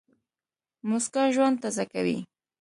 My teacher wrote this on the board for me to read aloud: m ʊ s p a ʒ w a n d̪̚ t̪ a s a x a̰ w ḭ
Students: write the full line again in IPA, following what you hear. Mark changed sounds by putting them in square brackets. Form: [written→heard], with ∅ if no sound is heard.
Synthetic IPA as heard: m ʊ s [p→k] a ʒ w a n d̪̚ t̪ a [s→z] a [x→k] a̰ w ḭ